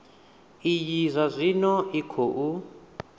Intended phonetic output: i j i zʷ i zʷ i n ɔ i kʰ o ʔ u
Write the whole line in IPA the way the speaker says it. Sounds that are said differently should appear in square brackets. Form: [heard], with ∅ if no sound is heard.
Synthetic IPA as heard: i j i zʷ [a] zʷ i n ɔ i kʰ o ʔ u

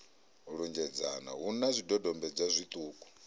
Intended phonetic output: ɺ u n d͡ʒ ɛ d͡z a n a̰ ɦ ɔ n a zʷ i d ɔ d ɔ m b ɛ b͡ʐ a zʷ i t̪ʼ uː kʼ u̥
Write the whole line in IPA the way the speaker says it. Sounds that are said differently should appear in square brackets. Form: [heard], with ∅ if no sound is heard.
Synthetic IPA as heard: ɺ u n d͡ʒ ɛ d͡z a n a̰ ɦ [u] n a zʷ i d ɔ d ɔ m b ɛ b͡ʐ a zʷ i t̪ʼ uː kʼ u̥

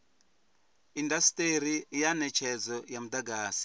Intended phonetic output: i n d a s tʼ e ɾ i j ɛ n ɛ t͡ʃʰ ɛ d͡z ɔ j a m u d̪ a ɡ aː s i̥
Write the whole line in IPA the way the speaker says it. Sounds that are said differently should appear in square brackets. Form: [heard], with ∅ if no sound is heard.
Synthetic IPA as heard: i n d a s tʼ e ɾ i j [a] n ɛ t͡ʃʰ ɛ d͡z ɔ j a m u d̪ a ɡ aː s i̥

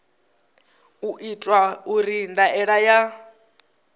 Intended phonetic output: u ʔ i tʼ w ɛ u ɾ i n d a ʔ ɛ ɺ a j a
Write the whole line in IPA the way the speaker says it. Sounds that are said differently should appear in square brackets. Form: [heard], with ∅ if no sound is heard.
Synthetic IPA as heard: u ʔ i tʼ w [a] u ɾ i n d a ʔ ɛ ɺ a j a

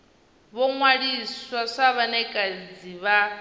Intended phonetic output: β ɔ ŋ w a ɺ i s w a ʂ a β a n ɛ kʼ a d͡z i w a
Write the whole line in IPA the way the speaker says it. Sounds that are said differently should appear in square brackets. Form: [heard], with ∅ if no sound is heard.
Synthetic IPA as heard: β ɔ ŋ w a ɺ i s w a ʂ a β a n ɛ kʼ a d͡z i [β] a

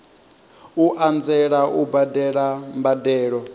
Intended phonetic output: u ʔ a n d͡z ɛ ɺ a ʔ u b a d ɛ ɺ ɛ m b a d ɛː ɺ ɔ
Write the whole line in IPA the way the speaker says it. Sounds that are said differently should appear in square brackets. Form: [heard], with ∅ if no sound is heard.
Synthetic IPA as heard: u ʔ a n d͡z ɛ ɺ a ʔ u b a d ɛ ɺ [a] m b a d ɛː ɺ ɔ

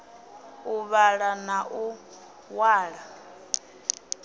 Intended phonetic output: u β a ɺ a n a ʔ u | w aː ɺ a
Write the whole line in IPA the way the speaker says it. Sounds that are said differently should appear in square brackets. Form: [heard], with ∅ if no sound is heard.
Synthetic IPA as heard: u β a ɺ a n a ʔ u | w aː ɺ a

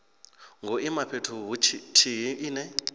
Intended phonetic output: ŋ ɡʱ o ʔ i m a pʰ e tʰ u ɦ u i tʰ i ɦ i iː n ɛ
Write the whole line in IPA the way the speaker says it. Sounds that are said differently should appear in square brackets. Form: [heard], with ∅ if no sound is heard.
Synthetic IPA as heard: ŋ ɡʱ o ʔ i m a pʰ e tʰ u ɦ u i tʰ i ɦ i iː n ɛ

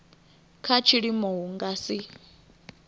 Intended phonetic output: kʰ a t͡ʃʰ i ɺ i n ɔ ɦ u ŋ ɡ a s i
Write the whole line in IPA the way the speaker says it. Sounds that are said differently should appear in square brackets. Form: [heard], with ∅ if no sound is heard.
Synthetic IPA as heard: kʰ a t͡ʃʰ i ɺ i [m] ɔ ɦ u ŋ ɡ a s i

